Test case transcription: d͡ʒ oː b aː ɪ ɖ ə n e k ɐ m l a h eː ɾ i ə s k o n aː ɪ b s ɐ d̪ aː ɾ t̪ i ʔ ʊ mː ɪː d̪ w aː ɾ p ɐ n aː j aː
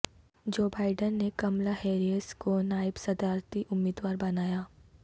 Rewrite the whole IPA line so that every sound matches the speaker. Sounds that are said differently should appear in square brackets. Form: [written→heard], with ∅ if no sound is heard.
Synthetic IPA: d͡ʒ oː b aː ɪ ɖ ə [n→nː] e k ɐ m l a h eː ɾ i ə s k o n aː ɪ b s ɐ d̪ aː ɾ t̪ i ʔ ʊ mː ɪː d̪ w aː ɾ [p→b] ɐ n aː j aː